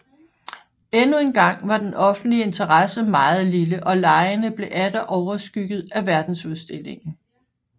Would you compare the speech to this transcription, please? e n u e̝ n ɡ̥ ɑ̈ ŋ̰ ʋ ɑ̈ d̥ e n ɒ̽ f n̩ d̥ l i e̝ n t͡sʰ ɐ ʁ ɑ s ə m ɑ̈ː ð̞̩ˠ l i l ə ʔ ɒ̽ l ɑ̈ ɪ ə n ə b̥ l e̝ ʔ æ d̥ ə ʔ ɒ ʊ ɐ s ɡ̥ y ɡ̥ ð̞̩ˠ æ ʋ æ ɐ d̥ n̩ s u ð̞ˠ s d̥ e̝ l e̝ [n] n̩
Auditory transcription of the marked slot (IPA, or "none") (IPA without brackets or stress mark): ŋ